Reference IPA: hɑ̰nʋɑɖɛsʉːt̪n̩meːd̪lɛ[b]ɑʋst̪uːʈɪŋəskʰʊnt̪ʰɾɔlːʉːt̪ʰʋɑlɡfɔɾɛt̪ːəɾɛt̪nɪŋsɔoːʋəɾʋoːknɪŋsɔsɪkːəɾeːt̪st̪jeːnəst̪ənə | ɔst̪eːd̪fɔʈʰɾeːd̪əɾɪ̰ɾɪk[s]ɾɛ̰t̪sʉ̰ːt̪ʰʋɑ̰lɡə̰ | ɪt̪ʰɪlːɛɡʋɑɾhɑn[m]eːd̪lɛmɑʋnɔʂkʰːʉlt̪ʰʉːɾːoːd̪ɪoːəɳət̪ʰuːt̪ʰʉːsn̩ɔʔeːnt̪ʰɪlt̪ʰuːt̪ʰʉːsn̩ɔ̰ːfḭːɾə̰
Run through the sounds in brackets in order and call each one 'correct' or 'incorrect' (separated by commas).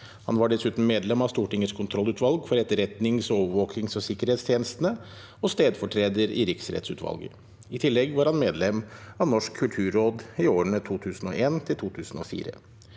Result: incorrect, correct, correct